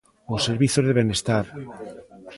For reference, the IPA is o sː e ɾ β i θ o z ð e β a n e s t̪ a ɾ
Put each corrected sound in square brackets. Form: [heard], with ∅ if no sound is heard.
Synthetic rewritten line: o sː e ɾ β i θ o z ð e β [e] n e s t̪ a ɾ